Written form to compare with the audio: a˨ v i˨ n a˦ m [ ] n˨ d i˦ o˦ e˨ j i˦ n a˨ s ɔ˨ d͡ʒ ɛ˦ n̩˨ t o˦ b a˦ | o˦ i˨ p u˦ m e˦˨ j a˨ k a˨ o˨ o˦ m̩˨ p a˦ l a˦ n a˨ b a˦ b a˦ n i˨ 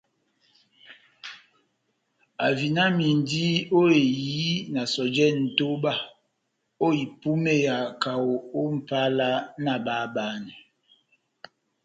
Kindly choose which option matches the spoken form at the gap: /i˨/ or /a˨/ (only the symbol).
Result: i˨